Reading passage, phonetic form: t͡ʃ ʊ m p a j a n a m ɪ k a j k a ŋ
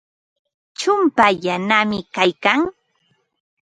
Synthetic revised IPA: t͡ʃ ʊ m p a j a n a m ɪ k a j k a ŋ